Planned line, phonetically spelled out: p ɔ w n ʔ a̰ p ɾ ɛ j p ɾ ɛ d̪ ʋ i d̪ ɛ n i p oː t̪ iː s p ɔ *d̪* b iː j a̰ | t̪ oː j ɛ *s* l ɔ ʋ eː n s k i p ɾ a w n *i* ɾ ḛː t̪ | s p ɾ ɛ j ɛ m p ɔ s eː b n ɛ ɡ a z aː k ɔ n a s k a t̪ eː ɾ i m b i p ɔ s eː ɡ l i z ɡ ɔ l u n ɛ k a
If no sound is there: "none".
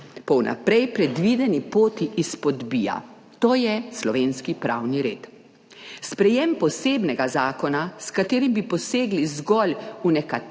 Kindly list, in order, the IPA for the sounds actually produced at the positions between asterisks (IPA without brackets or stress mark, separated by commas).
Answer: d̪, s, i